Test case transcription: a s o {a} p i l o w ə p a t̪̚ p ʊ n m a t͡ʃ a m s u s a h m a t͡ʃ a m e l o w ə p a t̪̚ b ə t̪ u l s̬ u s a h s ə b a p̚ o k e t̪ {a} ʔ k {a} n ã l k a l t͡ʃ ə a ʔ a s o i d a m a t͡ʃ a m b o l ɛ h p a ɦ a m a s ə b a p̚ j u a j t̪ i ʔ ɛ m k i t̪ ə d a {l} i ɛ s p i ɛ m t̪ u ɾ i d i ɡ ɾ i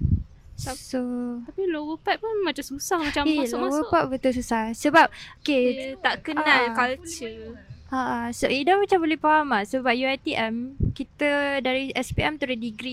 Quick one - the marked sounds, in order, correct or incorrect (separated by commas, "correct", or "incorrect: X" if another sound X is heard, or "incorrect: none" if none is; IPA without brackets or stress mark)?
correct, correct, incorrect: ə, incorrect: ɾ